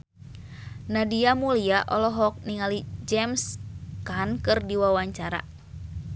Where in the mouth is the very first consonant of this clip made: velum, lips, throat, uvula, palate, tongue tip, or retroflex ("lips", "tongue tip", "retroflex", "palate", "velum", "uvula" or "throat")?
tongue tip